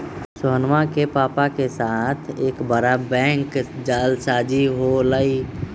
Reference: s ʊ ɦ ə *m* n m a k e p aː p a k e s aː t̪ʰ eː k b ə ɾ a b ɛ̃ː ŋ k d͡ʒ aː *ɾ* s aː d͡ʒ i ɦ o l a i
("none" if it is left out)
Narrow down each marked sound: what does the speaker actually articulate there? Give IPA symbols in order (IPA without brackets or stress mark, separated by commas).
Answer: none, l